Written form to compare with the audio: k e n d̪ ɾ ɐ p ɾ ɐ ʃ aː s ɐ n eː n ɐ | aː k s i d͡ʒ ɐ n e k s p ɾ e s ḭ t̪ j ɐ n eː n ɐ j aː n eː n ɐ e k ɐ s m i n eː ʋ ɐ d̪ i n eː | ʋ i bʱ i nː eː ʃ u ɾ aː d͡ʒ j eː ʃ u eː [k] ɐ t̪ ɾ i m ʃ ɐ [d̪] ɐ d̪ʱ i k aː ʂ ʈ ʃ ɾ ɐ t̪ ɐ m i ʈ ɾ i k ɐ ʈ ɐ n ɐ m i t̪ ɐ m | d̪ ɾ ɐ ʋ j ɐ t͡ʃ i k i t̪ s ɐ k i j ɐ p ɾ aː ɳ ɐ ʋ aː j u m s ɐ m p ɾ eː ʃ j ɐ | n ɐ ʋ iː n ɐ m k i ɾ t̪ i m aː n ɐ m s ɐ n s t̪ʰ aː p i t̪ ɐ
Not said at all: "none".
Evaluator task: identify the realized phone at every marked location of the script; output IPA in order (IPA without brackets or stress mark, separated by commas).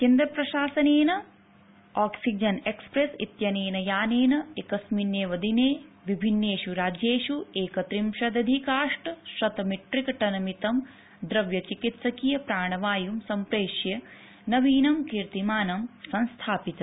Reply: k, d̪